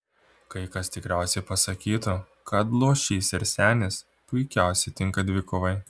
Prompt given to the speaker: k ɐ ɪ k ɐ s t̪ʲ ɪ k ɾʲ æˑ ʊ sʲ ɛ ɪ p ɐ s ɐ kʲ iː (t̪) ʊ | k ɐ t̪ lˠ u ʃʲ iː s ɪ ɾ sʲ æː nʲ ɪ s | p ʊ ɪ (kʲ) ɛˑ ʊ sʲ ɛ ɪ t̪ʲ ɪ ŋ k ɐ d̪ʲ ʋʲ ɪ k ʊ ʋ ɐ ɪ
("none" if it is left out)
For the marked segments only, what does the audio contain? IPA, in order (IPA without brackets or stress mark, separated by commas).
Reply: t̪, kʲ